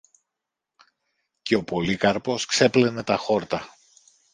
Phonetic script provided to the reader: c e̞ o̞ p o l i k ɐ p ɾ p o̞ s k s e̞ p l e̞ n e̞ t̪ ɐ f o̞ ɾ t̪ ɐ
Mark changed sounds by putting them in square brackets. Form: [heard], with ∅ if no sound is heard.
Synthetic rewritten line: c e̞ o̞ p o l i k ɐ [∅] ɾ p o̞ s k s e̞ p l e̞ n e̞ t̪ ɐ [x] o̞ ɾ t̪ ɐ